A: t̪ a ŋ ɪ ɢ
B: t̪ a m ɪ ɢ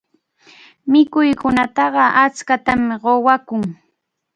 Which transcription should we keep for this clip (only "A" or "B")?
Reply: B